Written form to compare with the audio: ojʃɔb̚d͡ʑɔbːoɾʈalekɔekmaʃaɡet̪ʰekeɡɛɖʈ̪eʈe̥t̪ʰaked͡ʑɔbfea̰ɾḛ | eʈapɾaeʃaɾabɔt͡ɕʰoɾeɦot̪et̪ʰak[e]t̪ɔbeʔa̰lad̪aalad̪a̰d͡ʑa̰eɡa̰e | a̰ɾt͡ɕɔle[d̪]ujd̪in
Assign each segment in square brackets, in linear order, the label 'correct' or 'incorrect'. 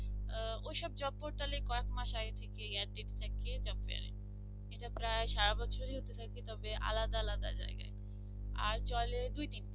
correct, correct

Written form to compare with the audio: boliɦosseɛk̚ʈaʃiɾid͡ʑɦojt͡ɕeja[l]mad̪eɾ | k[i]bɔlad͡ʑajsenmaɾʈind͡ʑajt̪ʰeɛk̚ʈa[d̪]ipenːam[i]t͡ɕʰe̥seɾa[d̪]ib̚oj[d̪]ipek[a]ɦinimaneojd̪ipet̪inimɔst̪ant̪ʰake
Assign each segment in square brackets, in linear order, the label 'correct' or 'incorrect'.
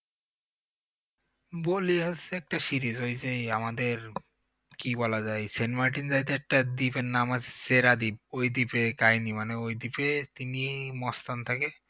incorrect: none, correct, correct, incorrect: a, correct, correct, correct

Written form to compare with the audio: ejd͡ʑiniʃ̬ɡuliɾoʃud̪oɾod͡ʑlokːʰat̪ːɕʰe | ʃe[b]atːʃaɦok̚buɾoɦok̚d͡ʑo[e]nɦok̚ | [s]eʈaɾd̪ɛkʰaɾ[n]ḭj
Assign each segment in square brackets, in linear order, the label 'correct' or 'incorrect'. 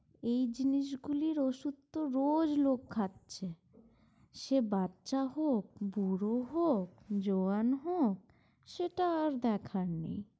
correct, incorrect: a, incorrect: ʃ, correct

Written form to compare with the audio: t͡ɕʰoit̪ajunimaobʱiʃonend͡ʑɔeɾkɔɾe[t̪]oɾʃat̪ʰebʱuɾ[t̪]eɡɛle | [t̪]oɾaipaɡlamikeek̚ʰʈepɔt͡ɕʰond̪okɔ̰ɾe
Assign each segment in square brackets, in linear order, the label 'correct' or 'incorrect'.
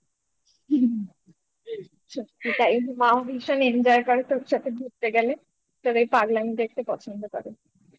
correct, correct, correct

